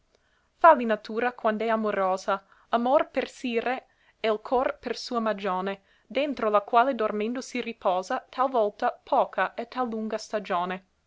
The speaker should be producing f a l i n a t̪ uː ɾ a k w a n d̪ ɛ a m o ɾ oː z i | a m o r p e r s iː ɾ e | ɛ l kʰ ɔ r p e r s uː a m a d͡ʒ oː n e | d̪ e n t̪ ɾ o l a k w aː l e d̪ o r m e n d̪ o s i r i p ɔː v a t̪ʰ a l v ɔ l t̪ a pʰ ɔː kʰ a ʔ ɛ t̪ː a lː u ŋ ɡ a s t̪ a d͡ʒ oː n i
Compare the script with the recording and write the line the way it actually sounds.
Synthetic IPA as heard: f a l i n a t̪ uː ɾ a k w a n d̪ ɛ a m o ɾ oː z a | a m o r p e r s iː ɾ e | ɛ l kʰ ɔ r p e r s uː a m a d͡ʒ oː n e | d̪ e n t̪ ɾ o l a k w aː l e d̪ o r m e n d̪ o s i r i p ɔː z a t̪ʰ a l v ɔ l t̪ a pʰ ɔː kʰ a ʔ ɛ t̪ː a lː u ŋ ɡ a s t̪ a d͡ʒ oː n e